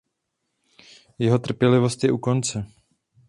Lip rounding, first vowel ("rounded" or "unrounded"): unrounded